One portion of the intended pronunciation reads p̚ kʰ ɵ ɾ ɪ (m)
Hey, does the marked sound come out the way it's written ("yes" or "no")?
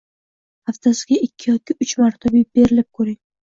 no